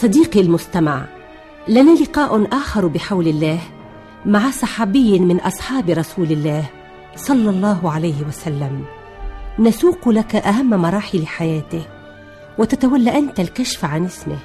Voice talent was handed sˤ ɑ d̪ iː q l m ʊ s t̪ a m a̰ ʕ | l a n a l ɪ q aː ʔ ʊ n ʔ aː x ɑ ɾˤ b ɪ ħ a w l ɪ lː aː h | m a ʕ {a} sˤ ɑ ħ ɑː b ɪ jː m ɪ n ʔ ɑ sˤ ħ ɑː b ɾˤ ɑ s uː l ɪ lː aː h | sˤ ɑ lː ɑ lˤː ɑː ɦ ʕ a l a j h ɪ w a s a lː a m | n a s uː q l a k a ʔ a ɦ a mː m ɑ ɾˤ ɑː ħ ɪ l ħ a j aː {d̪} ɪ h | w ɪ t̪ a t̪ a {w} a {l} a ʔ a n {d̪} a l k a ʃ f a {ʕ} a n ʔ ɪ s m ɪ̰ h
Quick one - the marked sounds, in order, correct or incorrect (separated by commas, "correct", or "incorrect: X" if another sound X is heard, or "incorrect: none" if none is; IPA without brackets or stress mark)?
correct, incorrect: t̪, correct, incorrect: lː, incorrect: t̪, correct